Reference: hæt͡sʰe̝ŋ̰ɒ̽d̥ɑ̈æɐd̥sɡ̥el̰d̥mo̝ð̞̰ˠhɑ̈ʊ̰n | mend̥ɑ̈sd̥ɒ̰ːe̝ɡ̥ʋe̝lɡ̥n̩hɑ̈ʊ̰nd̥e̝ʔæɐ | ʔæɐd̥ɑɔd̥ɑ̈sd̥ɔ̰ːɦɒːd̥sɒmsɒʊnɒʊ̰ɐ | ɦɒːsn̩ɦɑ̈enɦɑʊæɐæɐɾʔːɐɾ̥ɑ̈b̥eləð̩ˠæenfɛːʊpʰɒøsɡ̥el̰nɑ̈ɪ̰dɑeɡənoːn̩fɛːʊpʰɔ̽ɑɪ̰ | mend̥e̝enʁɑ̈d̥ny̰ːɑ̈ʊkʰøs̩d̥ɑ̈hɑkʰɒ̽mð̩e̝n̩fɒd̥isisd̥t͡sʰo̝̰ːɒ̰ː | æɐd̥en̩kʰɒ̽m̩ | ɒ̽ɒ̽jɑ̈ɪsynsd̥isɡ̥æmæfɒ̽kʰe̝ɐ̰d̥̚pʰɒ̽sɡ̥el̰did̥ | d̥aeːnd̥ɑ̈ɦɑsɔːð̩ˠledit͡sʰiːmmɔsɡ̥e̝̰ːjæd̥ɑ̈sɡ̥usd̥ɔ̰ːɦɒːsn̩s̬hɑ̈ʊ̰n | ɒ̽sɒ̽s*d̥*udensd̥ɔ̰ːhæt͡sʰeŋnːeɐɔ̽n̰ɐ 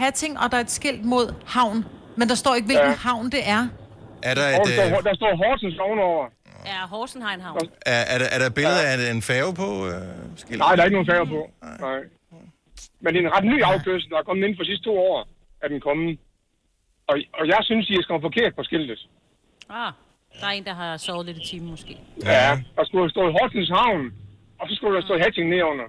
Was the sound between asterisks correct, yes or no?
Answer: no